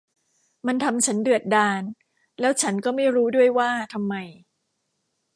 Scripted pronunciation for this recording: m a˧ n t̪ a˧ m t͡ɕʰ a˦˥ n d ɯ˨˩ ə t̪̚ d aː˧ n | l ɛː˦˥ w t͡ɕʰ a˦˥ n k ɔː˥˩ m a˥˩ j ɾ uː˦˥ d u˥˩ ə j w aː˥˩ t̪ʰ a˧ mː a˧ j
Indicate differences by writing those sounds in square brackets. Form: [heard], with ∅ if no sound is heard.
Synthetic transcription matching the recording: m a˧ n [t̪ʰ] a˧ m t͡ɕʰ a˦˥ n d ɯ˨˩ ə t̪̚ d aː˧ n | l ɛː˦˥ w t͡ɕʰ a˦˥ n k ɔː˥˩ m a˥˩ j ɾ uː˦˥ d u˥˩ ə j w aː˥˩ t̪ʰ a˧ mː a˧ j